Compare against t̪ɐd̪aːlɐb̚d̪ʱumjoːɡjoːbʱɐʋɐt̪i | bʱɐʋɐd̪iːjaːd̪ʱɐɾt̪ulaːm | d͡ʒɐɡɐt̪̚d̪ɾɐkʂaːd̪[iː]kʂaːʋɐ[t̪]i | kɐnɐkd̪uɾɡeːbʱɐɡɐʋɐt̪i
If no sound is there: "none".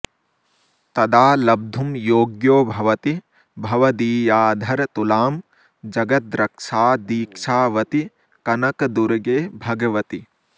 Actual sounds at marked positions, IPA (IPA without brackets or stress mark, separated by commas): iː, t̪